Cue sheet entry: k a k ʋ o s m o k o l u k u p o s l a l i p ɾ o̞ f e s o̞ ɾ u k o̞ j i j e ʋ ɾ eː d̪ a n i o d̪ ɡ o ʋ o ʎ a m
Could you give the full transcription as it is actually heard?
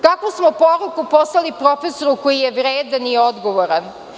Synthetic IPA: k a k ʋ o s m o p o ɾ u k u p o s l a l i p ɾ o̞ f e s o̞ ɾ u k o̞ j i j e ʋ ɾ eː d̪ a n i o d̪ ɡ o ʋ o ɾ a n